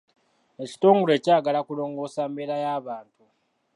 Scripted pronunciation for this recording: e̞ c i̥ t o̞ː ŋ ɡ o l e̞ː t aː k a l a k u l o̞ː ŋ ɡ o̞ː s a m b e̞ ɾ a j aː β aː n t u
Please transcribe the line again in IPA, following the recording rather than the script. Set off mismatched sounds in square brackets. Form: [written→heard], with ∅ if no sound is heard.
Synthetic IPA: e̞ c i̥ t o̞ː ŋ ɡ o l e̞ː [t→c] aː [k→ɡ] a l a k u l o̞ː ŋ ɡ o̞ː s a m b e̞ ɾ a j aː β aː n t u